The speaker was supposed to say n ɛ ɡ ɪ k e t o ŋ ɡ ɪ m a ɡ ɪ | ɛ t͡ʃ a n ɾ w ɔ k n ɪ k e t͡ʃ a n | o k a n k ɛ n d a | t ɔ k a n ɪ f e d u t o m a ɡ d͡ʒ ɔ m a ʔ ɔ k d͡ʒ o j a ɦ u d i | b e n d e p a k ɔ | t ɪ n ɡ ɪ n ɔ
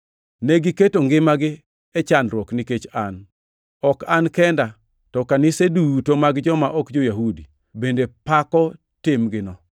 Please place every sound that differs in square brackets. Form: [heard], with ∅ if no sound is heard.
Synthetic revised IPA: n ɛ ɡ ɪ k e t o ŋ ɡ ɪ m a ɡ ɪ | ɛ t͡ʃ a n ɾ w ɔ k n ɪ k e t͡ʃ a n | [ɔ] k a n k ɛ n d a | t ɔ k a n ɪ [s] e d u t o m a ɡ d͡ʒ ɔ m a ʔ ɔ k d͡ʒ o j a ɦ u d i | b e n d e p a k ɔ | t ɪ [m] ɡ ɪ n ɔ